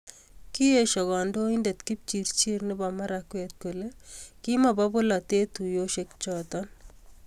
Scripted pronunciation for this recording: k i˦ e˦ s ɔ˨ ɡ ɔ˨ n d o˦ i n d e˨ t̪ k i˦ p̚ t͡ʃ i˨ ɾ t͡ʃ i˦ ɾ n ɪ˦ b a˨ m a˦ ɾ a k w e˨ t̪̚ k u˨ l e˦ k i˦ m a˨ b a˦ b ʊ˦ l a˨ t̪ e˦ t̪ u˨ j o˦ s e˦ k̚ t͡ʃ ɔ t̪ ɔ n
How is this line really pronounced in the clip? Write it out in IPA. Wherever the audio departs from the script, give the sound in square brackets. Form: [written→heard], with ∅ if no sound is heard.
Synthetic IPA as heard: k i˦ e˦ [s→ʃ] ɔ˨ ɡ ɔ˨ n d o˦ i n d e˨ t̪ k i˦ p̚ t͡ʃ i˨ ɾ t͡ʃ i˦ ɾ n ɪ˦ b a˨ m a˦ ɾ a k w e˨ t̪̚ k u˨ l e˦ k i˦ m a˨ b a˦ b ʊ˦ l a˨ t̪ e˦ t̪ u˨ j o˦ [s→ʃ] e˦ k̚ t͡ʃ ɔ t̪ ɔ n